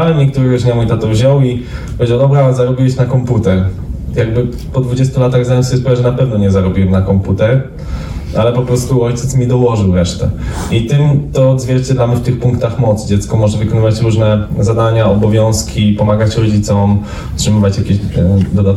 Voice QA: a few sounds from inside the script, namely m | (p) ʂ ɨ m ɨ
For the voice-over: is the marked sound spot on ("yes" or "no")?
no